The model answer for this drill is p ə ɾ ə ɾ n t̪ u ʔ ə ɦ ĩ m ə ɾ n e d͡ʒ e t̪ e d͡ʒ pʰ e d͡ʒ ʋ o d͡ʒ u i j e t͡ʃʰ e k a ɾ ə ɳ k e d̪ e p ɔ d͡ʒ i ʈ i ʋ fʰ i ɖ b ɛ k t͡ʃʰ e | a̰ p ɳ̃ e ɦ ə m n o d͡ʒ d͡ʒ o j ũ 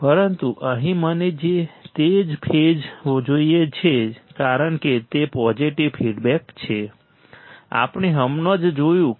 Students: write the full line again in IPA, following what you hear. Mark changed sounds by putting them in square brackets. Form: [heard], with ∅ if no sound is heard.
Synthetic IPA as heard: p ə ɾ ə [∅] n t̪ u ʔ ə ɦ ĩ m ə [∅] n e d͡ʒ e t̪ e d͡ʒ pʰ e d͡ʒ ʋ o d͡ʒ [o] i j e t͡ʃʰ e k a ɾ ə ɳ k e [t̪] e p ɔ d͡ʒ i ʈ i ʋ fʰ i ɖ b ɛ k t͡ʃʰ e | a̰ p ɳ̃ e ɦ ə m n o d͡ʒ d͡ʒ o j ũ